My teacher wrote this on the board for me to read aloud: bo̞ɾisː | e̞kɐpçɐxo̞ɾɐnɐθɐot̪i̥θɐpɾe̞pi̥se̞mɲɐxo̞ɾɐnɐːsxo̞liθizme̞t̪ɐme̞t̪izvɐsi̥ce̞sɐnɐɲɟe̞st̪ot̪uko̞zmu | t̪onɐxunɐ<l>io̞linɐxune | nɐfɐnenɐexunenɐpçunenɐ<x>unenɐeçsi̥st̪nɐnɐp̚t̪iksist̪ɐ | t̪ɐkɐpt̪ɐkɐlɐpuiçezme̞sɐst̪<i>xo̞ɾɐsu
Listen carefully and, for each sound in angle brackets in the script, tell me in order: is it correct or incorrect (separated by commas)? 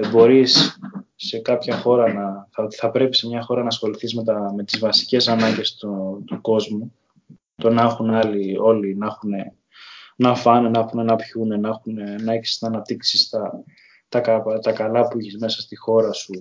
correct, correct, correct